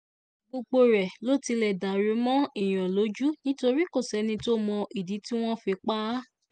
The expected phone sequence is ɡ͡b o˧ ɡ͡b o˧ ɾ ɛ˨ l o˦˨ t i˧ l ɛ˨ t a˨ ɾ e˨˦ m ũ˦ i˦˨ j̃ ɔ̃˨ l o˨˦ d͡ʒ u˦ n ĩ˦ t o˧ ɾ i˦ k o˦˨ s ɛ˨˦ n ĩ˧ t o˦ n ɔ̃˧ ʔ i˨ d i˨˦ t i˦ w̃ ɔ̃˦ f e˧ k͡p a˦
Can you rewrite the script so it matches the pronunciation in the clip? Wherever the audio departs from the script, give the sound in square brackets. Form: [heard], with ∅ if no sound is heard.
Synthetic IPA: ɡ͡b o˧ ɡ͡b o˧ ɾ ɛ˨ l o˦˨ t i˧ l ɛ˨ [d] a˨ ɾ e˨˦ m [ɔ̃˦] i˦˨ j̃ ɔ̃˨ l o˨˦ d͡ʒ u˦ n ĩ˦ t o˧ ɾ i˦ k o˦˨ s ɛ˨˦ n ĩ˧ t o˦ [m] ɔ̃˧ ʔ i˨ d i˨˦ t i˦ w̃ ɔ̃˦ f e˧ k͡p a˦